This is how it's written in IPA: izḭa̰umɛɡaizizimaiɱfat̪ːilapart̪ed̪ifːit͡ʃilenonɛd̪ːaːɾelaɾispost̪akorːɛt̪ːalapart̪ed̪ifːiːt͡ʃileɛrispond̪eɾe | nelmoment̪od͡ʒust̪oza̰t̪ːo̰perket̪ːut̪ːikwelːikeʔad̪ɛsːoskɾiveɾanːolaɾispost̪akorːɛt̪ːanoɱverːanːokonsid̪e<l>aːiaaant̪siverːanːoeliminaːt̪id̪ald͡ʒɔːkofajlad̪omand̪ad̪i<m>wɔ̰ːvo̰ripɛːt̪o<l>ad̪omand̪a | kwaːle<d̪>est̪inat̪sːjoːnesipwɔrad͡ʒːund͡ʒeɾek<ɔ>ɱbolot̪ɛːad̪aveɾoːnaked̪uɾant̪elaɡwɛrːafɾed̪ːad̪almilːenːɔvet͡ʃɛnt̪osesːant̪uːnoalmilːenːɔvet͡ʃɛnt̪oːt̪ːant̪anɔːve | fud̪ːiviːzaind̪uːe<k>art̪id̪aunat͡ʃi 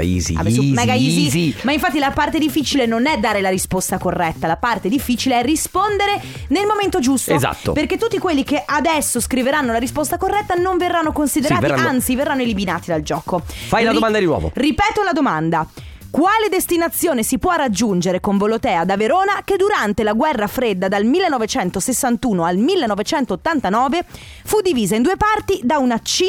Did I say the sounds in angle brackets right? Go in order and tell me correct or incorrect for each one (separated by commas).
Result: incorrect, incorrect, correct, correct, incorrect, incorrect